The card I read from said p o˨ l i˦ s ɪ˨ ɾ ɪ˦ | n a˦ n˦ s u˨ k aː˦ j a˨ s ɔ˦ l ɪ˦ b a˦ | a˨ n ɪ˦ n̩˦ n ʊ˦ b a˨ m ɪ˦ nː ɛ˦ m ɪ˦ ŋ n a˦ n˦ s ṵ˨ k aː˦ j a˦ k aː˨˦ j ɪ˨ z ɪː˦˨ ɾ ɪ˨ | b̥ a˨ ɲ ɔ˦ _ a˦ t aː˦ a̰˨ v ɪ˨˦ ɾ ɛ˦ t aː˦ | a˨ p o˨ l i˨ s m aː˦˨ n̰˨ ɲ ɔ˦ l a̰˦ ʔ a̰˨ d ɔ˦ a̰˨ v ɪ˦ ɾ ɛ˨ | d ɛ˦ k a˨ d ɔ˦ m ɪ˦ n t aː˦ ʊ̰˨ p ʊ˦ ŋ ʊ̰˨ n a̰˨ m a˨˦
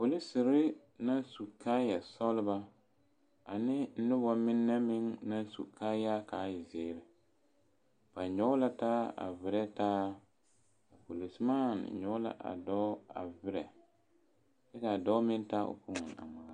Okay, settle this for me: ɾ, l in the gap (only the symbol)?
l